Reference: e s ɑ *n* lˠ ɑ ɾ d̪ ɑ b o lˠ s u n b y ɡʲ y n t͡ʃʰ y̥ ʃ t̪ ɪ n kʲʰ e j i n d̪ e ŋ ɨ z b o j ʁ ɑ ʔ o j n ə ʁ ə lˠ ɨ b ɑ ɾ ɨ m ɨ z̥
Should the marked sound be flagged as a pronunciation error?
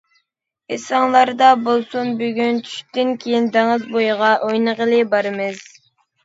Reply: yes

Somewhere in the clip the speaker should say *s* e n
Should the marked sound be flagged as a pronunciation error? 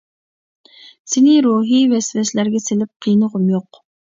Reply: no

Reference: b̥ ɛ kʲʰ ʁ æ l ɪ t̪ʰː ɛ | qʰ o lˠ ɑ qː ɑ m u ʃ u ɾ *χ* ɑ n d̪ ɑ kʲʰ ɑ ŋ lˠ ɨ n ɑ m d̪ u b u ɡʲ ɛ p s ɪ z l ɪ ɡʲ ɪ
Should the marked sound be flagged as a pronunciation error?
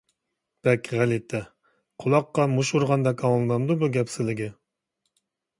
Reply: yes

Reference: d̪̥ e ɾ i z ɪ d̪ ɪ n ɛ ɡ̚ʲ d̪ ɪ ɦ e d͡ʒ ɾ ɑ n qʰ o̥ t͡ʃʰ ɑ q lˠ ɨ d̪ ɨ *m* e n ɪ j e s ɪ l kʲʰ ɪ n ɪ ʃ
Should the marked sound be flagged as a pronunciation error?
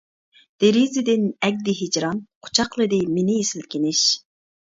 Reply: no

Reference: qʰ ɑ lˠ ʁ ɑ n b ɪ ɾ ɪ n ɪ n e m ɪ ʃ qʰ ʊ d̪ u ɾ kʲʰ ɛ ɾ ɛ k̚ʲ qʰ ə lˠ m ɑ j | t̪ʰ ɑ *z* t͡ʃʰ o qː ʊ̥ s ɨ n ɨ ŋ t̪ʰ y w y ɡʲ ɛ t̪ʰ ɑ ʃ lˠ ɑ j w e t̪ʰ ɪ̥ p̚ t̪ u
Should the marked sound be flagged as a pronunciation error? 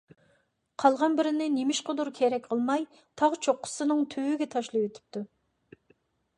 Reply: yes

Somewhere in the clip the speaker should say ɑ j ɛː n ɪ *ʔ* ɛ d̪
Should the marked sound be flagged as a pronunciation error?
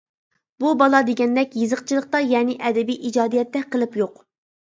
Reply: no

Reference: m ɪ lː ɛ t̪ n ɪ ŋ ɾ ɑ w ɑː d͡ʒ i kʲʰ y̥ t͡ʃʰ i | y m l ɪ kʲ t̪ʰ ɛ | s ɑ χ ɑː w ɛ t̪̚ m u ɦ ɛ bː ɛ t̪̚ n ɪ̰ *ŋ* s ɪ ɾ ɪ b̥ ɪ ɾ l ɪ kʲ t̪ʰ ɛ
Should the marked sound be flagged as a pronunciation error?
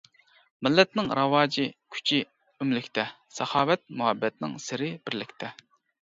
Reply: no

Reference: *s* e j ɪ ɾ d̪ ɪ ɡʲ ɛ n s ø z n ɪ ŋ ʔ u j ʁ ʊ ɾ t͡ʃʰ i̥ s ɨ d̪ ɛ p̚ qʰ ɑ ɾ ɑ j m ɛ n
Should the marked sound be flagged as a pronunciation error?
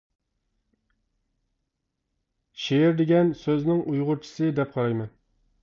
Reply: yes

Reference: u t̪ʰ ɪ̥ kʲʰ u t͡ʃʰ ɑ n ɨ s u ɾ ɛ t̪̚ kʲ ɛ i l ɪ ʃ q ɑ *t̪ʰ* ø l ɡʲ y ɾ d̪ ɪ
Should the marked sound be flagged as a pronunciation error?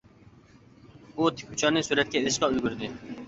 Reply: yes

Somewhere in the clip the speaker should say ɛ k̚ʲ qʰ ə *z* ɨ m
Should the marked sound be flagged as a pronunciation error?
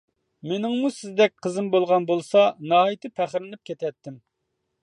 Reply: no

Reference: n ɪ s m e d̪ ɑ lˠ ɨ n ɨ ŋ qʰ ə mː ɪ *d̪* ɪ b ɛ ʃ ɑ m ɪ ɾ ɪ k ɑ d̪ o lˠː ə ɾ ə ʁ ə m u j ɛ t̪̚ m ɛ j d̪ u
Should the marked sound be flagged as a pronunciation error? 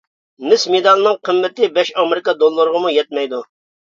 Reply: yes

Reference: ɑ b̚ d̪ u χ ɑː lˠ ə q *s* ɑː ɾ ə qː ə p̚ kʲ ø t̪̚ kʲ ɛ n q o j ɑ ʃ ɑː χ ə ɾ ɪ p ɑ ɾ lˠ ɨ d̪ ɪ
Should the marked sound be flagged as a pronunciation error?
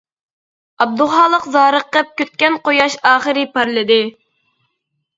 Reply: yes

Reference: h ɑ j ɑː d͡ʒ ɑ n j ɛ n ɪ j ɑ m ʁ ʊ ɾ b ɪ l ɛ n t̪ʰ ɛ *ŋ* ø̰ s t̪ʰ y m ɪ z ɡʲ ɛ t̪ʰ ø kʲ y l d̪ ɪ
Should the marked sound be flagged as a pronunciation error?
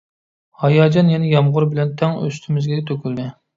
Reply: no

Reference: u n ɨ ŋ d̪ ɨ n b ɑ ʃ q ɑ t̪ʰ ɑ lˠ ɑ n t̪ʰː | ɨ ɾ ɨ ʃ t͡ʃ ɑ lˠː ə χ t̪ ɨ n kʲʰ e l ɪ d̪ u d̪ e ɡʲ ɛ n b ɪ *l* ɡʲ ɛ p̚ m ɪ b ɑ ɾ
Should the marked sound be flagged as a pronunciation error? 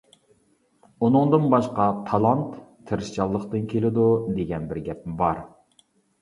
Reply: yes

